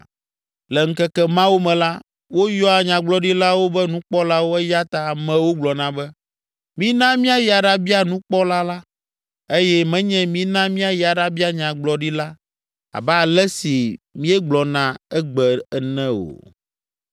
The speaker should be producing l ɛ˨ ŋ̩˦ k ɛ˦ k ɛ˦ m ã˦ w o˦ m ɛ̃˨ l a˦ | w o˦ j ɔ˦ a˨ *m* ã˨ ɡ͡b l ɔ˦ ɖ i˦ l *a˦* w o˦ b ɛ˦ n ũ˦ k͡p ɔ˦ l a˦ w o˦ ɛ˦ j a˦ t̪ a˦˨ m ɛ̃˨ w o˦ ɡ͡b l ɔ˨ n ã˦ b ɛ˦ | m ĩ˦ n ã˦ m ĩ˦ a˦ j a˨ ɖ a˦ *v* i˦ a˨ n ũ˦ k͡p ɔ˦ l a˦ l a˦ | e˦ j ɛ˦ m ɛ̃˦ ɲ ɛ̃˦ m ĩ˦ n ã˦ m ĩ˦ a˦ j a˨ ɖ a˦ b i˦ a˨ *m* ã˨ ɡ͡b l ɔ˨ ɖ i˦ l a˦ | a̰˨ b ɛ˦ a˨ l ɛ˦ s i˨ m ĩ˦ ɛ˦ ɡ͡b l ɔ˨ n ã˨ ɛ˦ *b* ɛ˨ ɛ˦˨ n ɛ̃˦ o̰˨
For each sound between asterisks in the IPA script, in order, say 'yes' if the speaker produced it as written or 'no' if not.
no, yes, no, no, no

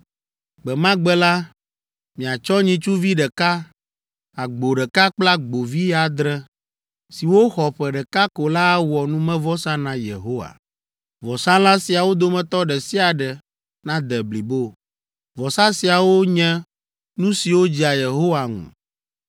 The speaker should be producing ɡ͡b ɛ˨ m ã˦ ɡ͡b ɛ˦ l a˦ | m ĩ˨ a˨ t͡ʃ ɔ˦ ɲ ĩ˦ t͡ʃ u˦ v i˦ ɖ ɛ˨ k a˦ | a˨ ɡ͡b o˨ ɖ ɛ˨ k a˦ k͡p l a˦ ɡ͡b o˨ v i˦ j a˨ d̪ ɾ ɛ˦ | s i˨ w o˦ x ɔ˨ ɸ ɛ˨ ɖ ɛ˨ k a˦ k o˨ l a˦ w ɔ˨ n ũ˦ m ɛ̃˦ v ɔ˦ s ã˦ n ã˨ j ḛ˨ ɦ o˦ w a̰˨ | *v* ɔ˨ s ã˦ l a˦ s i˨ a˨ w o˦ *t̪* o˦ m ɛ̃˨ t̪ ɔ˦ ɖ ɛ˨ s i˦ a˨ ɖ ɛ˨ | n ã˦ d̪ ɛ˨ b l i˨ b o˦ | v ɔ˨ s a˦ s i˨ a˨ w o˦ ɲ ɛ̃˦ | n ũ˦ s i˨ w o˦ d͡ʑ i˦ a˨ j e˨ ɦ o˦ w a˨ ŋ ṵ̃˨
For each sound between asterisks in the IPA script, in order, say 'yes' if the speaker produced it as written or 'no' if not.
yes, no

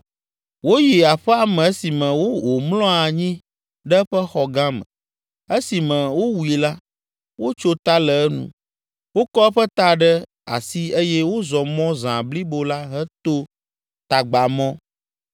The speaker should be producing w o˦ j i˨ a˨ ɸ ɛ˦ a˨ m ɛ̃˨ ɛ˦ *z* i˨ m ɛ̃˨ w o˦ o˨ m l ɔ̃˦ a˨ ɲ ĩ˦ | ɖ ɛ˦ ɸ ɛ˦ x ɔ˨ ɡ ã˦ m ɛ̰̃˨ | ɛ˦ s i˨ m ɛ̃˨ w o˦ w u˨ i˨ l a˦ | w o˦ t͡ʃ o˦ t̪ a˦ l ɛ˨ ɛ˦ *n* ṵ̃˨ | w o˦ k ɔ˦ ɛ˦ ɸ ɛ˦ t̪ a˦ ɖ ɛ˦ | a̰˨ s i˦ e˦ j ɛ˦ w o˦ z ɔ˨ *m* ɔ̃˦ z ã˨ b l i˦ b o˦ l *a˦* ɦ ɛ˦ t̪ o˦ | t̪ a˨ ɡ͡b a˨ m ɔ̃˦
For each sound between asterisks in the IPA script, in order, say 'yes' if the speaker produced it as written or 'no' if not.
no, yes, yes, yes

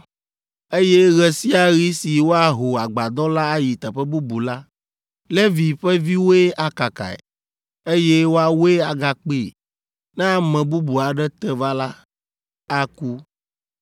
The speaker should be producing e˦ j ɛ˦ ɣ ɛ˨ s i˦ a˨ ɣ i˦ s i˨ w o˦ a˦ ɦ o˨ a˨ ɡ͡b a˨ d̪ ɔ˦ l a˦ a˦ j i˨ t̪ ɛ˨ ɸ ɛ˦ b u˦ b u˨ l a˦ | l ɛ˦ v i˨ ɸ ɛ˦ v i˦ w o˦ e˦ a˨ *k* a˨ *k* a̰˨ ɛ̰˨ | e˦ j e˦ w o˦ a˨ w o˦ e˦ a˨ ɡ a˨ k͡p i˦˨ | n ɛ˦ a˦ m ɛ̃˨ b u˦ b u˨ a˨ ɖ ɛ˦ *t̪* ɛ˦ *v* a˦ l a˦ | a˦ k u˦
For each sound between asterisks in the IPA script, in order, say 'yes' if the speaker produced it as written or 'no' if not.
yes, yes, yes, yes

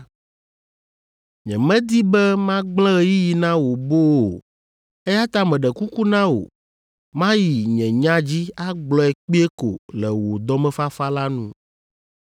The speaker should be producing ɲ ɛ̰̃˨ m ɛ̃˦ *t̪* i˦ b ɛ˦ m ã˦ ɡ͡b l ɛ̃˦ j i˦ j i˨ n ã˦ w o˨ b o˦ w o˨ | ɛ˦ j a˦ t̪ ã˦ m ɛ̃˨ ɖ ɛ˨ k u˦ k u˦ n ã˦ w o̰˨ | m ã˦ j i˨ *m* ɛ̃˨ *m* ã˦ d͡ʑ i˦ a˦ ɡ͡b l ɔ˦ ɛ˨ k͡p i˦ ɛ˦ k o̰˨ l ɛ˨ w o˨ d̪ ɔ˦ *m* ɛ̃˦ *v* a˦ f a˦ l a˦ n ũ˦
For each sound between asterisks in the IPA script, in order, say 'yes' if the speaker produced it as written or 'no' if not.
no, no, no, yes, no

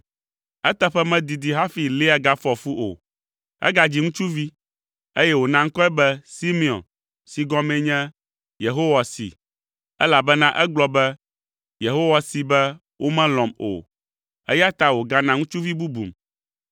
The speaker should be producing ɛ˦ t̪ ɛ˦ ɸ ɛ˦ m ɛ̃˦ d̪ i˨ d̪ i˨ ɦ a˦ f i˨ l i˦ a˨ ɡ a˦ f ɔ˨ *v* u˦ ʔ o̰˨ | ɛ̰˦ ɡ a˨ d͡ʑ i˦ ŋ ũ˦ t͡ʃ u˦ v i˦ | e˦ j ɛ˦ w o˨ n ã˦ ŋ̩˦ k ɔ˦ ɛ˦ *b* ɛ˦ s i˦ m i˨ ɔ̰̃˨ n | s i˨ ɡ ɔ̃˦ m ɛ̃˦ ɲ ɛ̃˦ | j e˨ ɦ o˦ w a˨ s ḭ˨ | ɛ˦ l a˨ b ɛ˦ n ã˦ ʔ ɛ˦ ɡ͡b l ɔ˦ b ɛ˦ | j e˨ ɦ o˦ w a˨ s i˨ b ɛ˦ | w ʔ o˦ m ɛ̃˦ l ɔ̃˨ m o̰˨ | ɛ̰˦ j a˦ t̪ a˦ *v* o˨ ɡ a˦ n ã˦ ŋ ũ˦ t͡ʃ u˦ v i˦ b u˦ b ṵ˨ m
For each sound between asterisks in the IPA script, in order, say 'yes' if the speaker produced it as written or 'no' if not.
no, yes, no

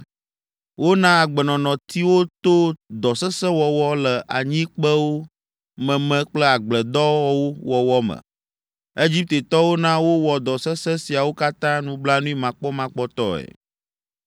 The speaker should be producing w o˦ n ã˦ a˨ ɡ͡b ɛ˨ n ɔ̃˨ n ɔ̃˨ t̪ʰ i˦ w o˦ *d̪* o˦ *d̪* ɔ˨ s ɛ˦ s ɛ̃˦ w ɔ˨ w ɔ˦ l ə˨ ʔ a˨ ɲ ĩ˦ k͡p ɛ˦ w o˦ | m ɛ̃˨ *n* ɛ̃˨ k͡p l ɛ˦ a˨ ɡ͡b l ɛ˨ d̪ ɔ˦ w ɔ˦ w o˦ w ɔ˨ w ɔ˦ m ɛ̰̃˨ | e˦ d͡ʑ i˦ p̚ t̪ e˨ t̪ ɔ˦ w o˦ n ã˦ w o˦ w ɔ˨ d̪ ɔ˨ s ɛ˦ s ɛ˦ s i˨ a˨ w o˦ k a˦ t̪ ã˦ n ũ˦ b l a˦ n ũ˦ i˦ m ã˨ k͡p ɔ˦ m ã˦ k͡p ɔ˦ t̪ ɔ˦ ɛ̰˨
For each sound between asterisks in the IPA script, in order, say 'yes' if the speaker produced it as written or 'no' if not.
no, yes, no

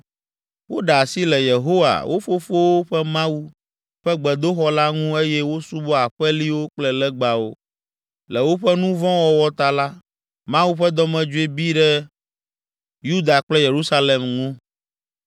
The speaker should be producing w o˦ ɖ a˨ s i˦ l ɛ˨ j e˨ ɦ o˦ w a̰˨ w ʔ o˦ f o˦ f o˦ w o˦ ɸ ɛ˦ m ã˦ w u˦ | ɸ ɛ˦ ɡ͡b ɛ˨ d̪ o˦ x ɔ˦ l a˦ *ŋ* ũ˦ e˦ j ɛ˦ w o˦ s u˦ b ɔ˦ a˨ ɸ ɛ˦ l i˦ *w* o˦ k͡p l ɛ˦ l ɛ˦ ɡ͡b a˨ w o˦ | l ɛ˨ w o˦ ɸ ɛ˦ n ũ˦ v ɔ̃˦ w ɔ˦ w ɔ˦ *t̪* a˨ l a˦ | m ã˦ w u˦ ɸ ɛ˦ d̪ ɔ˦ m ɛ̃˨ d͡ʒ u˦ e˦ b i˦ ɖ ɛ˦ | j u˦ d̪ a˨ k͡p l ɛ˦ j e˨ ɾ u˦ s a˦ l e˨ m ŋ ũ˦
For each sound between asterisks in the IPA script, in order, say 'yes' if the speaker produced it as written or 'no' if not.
yes, yes, yes

